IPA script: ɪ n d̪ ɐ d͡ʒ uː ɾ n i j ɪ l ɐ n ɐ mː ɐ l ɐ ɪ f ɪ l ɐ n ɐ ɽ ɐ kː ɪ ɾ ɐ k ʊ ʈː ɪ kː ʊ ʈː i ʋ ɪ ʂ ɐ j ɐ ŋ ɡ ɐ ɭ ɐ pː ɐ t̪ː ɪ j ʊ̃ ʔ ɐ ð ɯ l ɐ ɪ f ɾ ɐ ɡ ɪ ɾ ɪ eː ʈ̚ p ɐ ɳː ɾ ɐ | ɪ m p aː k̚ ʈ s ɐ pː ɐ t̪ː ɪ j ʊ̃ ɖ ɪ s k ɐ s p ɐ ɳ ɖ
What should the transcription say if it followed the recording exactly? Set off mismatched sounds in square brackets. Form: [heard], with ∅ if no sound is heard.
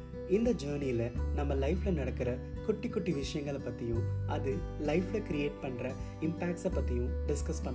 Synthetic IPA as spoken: ɪ n d̪ ɐ d͡ʒ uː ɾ n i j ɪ l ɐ n ɐ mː ɐ l ɐ ɪ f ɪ l ɐ n ɐ ɽ ɐ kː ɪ ɾ ɐ k ʊ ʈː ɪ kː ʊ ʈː i ʋ ɪ ʂ ɐ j ɐ ŋ ɡ ɐ ɭ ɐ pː ɐ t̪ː ɪ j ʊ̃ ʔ ɐ ð ɯ l ɐ ɪ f [l] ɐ [k] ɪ ɾ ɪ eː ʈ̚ p ɐ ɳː ɾ ɐ | ɪ m p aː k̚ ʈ s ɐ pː ɐ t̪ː ɪ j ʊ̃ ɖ ɪ s k ɐ s p ɐ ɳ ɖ